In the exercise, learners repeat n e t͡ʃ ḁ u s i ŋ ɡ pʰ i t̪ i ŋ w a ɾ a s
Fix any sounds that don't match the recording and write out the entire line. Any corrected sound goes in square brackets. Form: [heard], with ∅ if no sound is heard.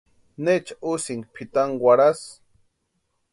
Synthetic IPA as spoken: n e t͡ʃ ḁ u s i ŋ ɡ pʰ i t̪ [a] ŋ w a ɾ a s